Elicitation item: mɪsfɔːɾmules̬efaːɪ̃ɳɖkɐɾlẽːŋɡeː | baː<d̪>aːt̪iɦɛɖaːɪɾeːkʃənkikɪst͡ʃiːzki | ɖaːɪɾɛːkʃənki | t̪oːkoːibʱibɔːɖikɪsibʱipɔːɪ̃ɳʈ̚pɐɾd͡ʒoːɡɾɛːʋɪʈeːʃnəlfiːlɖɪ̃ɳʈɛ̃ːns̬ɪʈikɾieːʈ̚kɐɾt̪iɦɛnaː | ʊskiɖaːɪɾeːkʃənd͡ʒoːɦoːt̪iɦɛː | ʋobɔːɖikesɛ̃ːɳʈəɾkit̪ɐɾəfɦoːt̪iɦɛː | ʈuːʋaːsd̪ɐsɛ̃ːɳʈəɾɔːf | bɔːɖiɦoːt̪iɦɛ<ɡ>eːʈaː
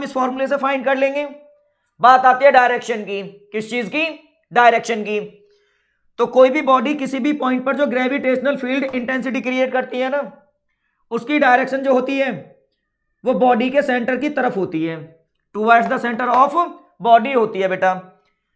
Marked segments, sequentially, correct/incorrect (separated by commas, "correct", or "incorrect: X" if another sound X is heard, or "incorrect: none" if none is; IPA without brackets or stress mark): incorrect: t̪, incorrect: b